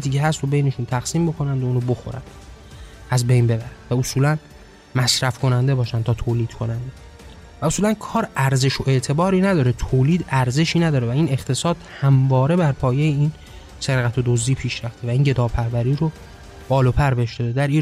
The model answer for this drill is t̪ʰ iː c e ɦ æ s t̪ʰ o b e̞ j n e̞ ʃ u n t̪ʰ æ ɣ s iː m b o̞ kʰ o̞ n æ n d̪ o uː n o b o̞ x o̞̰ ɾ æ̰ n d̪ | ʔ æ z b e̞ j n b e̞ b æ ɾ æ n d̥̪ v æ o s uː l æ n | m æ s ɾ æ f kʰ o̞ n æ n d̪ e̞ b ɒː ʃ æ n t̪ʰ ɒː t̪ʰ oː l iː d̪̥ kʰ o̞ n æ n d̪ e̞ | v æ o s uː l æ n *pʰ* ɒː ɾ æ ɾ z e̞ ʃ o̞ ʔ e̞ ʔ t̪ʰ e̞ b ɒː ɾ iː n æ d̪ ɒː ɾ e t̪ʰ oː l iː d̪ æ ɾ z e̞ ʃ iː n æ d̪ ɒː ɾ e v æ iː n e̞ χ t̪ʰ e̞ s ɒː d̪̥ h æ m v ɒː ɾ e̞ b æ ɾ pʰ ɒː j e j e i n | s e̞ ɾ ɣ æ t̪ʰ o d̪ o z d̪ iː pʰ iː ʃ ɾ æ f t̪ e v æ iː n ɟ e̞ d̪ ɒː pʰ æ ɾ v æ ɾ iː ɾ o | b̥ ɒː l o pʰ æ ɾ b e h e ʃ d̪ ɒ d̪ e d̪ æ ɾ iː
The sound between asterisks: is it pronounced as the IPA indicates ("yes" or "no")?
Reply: no